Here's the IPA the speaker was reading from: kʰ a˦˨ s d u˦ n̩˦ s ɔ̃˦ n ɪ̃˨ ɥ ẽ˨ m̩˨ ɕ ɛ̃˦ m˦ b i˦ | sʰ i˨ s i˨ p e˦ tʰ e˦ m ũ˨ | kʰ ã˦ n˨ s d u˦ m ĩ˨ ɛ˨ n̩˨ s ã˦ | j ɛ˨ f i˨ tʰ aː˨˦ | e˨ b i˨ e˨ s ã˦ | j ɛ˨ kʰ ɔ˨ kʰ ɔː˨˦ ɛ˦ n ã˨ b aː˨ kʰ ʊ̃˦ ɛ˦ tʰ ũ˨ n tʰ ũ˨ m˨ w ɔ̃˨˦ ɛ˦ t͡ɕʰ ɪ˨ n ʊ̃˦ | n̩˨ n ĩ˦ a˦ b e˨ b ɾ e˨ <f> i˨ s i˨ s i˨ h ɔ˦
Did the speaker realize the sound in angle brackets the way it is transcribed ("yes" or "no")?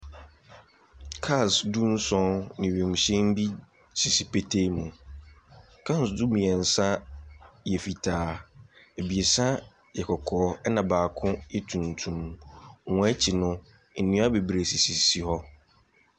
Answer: no